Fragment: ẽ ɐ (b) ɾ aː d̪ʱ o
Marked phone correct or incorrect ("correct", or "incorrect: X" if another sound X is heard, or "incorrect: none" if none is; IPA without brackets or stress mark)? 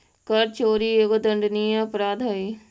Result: incorrect: p